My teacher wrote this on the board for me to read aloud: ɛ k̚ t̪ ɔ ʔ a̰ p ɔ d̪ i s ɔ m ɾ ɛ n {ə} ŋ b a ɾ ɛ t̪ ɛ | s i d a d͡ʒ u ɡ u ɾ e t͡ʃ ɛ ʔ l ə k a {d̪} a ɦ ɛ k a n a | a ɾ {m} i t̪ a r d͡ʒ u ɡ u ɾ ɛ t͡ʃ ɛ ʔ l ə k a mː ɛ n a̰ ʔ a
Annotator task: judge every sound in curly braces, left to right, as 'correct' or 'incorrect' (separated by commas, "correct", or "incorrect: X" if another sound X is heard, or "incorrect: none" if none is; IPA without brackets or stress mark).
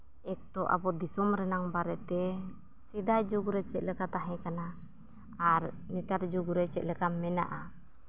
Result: incorrect: a, incorrect: t̪, incorrect: n